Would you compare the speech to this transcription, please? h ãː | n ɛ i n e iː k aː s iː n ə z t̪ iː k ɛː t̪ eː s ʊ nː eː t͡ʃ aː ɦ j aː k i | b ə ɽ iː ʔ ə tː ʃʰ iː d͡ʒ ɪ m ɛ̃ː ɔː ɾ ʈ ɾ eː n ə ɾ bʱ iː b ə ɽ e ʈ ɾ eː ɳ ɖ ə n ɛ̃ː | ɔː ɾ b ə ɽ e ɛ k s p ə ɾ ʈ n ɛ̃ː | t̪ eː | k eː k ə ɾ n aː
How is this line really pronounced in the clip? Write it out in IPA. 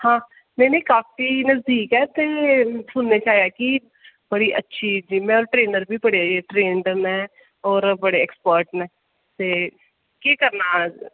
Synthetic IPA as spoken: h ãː | n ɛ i n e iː k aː f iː n ə z d̪ iː k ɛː t̪ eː s ʊ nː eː t͡ʃ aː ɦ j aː k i | b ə ɽ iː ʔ ə tː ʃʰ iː d͡ʒ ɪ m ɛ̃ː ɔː ɾ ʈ ɾ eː n ə ɾ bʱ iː b ə ɽ e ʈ ɾ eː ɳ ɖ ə n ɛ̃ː | ɔː ɾ b ə ɽ e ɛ k s p ə ɾ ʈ n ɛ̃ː | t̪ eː | k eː k ə ɾ n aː